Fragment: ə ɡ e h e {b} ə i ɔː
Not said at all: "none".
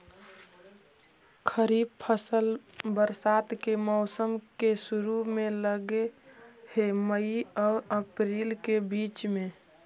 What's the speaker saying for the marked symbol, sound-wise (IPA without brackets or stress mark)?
m